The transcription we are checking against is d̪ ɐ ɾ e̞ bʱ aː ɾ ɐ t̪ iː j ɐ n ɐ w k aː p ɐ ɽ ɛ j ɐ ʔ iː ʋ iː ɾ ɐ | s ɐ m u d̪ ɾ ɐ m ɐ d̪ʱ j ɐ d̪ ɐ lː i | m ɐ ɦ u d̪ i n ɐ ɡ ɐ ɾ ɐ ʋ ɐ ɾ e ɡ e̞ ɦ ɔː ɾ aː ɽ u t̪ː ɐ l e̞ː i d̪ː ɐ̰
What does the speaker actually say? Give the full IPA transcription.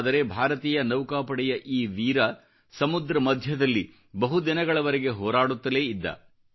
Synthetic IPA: d̪ ɐ ɾ e̞ bʱ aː ɾ ɐ t̪ iː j ɐ n ɐ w k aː p ɐ ɽ ɛ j ɐ ʔ iː ʋ iː ɾ ɐ | s ɐ m u d̪ ɾ ɐ m ɐ d̪ʱ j ɐ d̪ ɐ lː i | b ɐ ɦ u d̪ i n ɐ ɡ ɐ ɭ ɐ ʋ ɐ ɾ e ɡ e̞ ɦ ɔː ɾ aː ɽ u t̪ː ɐ l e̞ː i d̪ː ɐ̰